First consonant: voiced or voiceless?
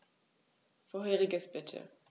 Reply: voiceless